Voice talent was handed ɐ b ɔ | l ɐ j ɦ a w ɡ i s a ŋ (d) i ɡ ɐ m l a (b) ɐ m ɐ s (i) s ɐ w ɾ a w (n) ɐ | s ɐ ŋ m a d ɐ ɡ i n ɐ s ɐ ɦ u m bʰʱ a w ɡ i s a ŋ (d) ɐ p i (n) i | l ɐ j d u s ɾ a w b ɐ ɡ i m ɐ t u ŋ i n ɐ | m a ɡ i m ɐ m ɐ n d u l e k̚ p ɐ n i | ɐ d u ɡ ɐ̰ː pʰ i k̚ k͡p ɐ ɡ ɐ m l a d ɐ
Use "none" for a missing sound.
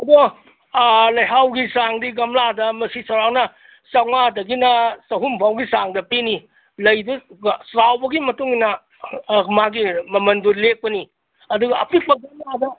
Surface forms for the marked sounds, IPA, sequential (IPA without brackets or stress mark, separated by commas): d, d, i, n, d, n